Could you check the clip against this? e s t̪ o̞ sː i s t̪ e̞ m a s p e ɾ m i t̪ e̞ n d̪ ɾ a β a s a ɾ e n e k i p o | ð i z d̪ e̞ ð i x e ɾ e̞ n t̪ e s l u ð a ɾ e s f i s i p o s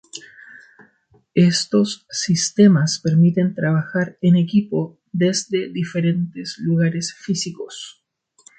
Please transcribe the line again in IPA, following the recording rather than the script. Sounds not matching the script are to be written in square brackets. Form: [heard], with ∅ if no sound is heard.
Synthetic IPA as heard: e s t̪ o̞ sː i s t̪ e̞ m a s p e ɾ m i t̪ e̞ n [t̪] ɾ a β a [x] a ɾ e n e k i p o | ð [e] z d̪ e̞ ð i [f] e ɾ e̞ n t̪ e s l u [ɣ] a ɾ e s f i s i [k] o s